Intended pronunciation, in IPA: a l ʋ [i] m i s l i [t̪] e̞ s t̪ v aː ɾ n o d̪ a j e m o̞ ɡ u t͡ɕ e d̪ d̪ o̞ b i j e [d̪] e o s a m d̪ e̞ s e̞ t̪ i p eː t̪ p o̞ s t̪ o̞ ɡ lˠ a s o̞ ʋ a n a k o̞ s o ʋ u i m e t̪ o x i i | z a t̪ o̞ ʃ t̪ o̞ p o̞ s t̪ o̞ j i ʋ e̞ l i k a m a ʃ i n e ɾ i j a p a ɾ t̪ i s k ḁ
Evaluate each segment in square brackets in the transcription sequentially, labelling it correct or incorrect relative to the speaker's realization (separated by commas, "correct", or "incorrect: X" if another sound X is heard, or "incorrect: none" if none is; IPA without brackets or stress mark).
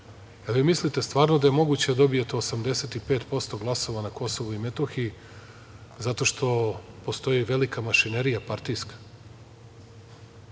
correct, correct, incorrect: t̪